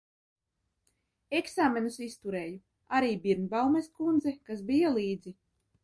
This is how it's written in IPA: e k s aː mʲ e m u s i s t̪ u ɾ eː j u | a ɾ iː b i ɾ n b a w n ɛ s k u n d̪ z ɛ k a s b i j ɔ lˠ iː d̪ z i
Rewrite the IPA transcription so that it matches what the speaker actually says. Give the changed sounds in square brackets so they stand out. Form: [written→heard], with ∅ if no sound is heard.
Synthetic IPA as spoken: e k s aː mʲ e [m→n] u s i s t̪ u ɾ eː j u | a ɾ iː b i ɾ n b a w [n→m] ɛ s k u n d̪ z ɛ k a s b i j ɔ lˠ iː d̪ z i

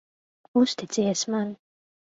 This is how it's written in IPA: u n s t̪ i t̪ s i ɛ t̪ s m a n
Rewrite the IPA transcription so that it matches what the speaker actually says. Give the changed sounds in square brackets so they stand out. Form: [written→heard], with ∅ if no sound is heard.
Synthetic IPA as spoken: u [n→∅] s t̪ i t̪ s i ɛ [t̪→∅] s m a n

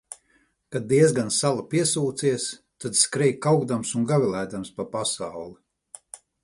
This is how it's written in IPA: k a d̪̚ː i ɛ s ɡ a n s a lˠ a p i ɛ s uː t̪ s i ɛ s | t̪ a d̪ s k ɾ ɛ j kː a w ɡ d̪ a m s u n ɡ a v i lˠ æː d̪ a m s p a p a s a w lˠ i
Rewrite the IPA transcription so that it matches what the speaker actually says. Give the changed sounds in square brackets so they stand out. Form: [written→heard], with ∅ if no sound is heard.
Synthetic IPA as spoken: k a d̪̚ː i ɛ [s→z] ɡ a n s a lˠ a p i ɛ s uː t̪ s i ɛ s | t̪ a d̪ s k ɾ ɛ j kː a w ɡ d̪ a m s u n ɡ a v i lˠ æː d̪ a m s p a p a s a w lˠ i

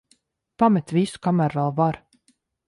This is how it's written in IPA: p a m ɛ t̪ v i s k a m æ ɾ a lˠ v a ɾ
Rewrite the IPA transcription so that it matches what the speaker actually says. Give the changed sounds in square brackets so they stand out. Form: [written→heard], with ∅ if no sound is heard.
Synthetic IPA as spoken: p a m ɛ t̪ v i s k a m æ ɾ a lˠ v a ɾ

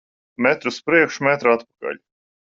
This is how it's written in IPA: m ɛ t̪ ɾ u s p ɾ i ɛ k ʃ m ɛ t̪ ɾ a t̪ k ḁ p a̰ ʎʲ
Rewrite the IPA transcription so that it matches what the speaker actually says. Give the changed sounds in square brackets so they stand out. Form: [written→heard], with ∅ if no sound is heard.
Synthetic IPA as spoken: m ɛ t̪ ɾ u s p ɾ i ɛ k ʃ m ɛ t̪ ɾ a t̪ [k→p] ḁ [p→k] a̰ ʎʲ

